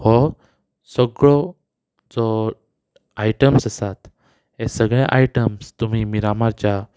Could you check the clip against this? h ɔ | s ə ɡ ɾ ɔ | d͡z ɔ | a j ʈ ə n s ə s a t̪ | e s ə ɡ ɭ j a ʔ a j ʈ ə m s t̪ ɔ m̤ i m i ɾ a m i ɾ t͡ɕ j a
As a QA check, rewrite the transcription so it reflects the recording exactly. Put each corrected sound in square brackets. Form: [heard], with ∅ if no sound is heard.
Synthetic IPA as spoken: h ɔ | s ə ɡ [ɭ] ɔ | d͡z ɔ | a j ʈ ə [m] s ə s a t̪ | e s ə ɡ ɭ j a ʔ a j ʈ ə m s t̪ [u] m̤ i m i ɾ a m [a] ɾ t͡ɕ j a